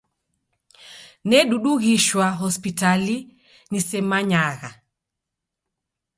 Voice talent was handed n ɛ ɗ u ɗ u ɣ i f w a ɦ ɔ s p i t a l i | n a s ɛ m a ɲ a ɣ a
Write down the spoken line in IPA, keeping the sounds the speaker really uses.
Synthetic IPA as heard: n ɛ ɗ u ɗ u ɣ i ʃ w a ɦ ɔ s p i t a l i | n i s ɛ m a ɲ a ɣ a